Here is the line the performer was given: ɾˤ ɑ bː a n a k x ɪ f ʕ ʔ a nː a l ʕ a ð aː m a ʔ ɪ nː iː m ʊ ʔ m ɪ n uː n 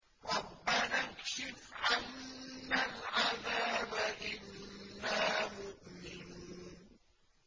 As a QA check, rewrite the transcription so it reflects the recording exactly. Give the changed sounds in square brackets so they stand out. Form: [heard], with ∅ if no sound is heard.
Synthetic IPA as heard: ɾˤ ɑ bː a n a k [ʃ] ɪ f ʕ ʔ a nː a l ʕ a ð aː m a ʔ ɪ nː [aː] m ʊ ʔ m ɪ n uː n